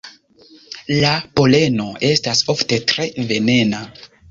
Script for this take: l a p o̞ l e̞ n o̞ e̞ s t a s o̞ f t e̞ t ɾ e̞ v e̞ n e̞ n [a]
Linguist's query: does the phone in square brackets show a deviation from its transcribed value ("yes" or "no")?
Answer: no